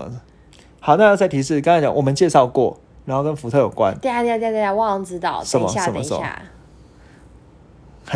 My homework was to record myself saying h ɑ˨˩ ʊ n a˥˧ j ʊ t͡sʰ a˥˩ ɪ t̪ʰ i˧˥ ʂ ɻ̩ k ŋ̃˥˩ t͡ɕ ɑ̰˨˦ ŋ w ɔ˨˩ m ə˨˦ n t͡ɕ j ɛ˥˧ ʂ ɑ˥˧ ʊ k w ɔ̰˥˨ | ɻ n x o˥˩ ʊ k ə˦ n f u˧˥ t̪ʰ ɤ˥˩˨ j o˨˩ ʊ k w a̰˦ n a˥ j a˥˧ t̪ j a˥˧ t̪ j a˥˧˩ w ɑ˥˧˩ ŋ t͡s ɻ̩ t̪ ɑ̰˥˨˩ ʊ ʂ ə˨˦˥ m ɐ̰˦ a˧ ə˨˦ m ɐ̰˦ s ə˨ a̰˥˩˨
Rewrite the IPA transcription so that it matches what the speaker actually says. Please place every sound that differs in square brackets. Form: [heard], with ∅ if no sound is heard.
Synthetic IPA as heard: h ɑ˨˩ ʊ n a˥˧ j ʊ [t͡s] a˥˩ ɪ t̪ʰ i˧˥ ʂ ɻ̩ k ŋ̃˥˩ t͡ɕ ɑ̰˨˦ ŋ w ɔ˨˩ m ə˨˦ n t͡ɕ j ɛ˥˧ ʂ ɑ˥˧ ʊ k w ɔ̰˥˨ | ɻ n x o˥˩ ʊ k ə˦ n f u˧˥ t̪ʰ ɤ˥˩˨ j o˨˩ ʊ k w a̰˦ n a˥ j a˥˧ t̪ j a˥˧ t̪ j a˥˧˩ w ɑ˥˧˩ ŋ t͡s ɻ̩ t̪ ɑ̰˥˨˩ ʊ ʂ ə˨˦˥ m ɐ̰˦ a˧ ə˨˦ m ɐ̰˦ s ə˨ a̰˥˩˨